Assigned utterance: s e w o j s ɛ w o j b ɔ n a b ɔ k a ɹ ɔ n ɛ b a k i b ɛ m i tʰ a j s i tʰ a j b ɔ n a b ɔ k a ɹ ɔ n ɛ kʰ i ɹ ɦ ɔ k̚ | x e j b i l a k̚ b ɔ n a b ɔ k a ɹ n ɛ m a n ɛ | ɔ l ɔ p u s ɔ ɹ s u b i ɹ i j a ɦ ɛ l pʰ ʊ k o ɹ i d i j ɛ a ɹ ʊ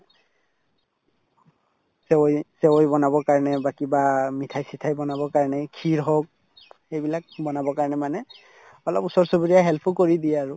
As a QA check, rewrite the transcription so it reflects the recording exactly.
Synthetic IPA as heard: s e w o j s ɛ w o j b ɔ n a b ɔ k a ɹ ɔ n ɛ b a k i b a m i tʰ a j s i tʰ a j b ɔ n a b ɔ k a ɹ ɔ n ɛ kʰ i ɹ ɦ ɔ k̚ | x e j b i l a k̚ b ɔ n a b ɔ k a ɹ n ɛ m a n ɛ | ɔ l ɔ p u s ɔ ɹ s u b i ɹ i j a ɦ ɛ l pʰ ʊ k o ɹ i d i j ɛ a ɹ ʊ